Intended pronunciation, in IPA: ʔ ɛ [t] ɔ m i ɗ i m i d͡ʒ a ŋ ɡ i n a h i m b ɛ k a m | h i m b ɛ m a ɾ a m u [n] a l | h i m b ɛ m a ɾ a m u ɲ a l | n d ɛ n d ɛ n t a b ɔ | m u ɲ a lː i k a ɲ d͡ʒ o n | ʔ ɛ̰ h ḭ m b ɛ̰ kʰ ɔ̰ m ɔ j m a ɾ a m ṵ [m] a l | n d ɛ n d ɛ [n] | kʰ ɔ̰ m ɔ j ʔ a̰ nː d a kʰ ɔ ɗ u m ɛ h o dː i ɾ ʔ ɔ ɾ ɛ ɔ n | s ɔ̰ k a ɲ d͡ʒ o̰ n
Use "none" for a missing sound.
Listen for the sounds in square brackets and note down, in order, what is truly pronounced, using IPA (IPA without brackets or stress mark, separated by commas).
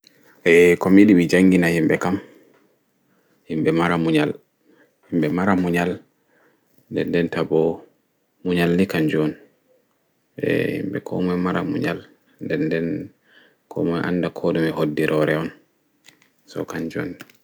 k, ɲ, ɲ, n